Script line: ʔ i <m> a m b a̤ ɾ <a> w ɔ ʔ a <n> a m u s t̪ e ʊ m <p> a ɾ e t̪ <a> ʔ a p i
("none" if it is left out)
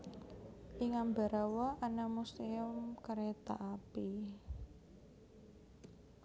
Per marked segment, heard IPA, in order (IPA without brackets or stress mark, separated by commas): ŋ, a, n, k, a